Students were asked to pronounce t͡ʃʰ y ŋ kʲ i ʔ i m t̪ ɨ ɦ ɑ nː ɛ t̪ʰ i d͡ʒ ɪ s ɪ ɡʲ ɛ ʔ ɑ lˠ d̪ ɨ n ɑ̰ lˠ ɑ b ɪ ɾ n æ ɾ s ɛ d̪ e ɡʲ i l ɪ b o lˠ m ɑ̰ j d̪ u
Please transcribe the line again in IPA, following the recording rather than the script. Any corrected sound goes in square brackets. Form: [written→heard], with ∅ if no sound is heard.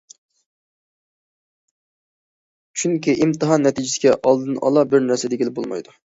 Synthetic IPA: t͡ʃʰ y ŋ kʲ i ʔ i m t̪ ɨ ɦ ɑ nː ɛ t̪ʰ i d͡ʒ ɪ s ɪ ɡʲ ɛ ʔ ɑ lˠ d̪ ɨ n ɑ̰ lˠ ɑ b ɪ ɾ n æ ɾ s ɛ d̪ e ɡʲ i l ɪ b o lˠ m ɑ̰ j d̪ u